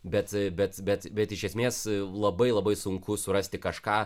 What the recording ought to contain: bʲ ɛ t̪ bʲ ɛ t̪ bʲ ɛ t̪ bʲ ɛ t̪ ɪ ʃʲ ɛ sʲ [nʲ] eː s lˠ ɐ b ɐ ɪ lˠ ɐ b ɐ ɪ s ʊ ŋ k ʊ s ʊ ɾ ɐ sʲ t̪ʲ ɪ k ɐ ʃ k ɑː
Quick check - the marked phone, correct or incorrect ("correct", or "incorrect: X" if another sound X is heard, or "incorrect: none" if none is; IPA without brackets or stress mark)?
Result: incorrect: mʲ